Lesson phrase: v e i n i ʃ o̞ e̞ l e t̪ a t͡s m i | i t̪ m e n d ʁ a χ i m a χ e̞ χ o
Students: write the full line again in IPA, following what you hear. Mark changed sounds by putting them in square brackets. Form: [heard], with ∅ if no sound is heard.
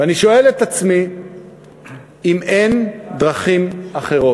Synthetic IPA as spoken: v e [a] n i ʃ o̞ e̞ l e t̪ a t͡s m i | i [∅] m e n d ʁ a χ i m a χ e̞ [ʁ] o